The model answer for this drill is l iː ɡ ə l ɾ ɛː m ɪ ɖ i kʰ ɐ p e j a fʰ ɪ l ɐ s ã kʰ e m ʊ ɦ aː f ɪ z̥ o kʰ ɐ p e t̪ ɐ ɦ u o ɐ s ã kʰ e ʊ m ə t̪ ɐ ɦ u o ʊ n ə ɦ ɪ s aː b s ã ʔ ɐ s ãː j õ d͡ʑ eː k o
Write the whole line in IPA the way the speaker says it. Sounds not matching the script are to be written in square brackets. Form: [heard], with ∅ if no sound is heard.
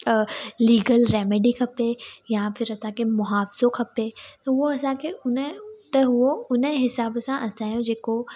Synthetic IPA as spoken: l iː ɡ ə l ɾ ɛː m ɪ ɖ i kʰ ɐ p e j a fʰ ɪ [ɾ] ɐ s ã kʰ e m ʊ ɦ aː f ɪ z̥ o kʰ ɐ p e t̪ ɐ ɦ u o ɐ s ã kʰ e ʊ [n] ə t̪ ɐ ɦ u o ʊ n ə ɦ ɪ s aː b s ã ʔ ɐ s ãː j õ d͡ʑ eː k o

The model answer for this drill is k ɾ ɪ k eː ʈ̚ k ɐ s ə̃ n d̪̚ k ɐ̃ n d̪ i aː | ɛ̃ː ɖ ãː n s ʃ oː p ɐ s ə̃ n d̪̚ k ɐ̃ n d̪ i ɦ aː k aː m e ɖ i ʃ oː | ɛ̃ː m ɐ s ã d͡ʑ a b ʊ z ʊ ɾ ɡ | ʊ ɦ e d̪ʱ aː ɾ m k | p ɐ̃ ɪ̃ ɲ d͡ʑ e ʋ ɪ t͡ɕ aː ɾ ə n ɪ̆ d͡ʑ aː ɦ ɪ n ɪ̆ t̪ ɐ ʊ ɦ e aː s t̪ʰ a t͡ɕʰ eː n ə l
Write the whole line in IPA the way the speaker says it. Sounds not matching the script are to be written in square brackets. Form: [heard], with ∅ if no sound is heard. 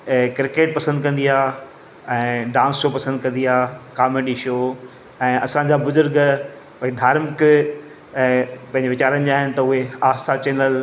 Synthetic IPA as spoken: k ɾ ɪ k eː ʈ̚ [p] ɐ s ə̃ n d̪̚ k ɐ̃ n d̪ i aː | ɛ̃ː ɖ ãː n s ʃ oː p ɐ s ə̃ n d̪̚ k ɐ̃ n d̪ i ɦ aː k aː m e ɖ i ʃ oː | ɛ̃ː [∅] ɐ s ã d͡ʑ a b ʊ z ʊ ɾ ɡ | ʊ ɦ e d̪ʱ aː ɾ m k | p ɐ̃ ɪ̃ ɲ d͡ʑ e ʋ ɪ t͡ɕ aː ɾ ə n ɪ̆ d͡ʑ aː ɦ ɪ n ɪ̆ t̪ ɐ ʊ ɦ e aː s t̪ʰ a [t͡ɕ] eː n ə l

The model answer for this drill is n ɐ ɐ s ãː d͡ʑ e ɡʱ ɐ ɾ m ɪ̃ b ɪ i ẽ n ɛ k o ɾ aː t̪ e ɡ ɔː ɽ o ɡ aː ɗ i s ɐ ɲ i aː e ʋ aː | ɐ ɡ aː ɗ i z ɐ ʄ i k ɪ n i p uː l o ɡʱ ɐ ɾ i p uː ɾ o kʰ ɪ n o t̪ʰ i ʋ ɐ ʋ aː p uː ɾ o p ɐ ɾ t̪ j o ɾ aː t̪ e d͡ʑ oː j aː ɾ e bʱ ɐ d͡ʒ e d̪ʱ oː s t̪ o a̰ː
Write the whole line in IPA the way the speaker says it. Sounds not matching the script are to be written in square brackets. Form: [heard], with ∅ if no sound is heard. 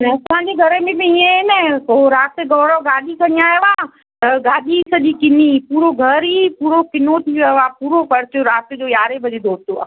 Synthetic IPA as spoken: n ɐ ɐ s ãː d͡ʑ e ɡʱ ɐ ɾ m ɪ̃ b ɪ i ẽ n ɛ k o ɾ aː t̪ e ɡ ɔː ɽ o ɡ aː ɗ i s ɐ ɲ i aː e ʋ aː | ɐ ɡ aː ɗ i [s] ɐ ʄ i k ɪ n i p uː [ɾ] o ɡʱ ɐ ɾ i p uː ɾ o [k] ɪ n o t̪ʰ i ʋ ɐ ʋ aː p uː ɾ o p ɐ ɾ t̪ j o ɾ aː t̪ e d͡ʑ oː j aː ɾ e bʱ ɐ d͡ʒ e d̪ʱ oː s t̪ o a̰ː

